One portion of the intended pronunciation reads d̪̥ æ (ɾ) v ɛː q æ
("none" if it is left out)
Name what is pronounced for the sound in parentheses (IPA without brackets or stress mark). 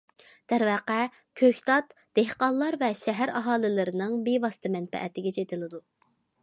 ɾ